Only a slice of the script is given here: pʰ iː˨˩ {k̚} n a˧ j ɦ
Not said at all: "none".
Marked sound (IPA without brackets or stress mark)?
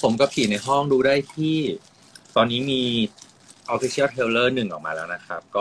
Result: none